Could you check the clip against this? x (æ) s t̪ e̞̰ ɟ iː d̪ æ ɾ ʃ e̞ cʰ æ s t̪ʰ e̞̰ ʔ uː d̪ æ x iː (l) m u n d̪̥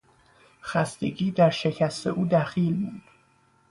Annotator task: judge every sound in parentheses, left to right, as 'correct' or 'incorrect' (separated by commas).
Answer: correct, correct